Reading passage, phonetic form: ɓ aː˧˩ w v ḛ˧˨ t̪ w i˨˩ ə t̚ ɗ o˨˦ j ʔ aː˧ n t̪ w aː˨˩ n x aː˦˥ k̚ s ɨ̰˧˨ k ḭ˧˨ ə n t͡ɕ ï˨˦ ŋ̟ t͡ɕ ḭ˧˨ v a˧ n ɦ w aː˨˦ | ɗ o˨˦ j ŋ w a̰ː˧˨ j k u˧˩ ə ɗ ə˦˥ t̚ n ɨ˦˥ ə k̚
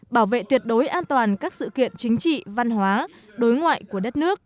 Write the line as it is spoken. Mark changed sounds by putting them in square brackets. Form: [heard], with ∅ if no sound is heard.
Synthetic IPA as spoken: ɓ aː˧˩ w v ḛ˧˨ t̪ w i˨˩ ə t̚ ɗ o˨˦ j ʔ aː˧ n t̪ w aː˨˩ n [k] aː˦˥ k̚ s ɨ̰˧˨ k ḭ˧˨ ə n t͡ɕ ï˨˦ ŋ̟ t͡ɕ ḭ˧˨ v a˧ n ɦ w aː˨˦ | ɗ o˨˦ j ŋ w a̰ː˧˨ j k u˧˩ ə ɗ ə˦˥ t̚ n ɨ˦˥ ə k̚